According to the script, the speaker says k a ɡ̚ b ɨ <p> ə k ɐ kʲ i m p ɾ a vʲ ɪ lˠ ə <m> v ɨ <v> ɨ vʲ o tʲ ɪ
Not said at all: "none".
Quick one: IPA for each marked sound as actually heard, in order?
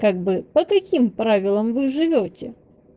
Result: p, m, ʐ

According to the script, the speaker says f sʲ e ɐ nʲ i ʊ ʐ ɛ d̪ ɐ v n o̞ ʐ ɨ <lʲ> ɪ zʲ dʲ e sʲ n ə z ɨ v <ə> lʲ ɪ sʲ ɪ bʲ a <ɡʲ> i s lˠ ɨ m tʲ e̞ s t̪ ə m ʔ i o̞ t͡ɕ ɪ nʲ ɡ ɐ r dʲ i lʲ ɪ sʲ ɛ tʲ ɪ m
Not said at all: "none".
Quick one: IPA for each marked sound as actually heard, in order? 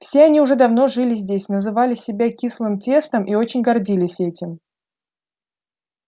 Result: lʲ, a, kʲ

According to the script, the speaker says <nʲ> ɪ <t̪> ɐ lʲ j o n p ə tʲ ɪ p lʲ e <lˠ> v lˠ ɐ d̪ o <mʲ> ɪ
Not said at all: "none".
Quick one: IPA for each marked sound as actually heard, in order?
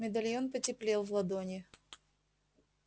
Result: mʲ, d̪, lˠ, nʲ

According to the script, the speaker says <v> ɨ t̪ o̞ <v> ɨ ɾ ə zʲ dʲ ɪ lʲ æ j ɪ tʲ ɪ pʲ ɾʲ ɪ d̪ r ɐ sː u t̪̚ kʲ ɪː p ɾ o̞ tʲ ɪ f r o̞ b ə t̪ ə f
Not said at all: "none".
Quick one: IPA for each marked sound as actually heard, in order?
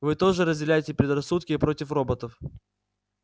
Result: v, ʐ

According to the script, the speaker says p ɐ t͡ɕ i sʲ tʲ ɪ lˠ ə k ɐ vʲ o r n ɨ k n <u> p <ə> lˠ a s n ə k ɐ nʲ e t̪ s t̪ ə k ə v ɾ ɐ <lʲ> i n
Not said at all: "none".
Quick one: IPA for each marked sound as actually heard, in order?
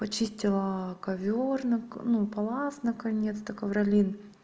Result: u, ɐ, lʲ

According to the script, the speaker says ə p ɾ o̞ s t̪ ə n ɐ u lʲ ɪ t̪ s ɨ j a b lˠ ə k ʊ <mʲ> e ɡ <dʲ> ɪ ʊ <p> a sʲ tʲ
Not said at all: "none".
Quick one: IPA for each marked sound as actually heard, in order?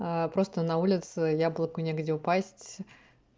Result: nʲ, dʲ, p

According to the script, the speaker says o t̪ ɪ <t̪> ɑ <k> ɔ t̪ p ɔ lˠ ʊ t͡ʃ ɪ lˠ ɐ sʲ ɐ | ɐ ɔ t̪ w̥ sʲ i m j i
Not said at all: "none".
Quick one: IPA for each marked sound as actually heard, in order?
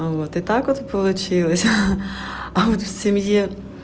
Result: t̪, k

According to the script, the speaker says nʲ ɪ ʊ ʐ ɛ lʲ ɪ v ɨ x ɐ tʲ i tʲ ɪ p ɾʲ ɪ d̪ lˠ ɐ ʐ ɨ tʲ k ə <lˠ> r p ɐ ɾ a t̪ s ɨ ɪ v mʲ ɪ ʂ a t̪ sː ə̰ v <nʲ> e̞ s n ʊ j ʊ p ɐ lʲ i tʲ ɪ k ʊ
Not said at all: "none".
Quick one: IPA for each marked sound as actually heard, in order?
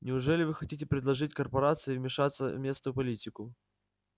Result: none, mʲ

